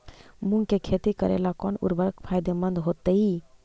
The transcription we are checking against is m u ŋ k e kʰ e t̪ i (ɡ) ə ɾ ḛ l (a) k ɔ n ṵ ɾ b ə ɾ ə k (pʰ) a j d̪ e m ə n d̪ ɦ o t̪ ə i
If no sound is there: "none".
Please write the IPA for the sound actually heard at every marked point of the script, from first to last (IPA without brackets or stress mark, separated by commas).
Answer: k, a, pʰ